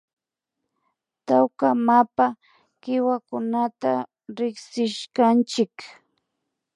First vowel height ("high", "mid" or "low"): low